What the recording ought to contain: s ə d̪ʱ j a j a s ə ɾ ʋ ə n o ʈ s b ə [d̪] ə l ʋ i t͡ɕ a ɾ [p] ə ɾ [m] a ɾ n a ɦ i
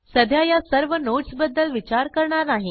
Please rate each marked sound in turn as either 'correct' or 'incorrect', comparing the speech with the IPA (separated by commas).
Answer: incorrect, incorrect, incorrect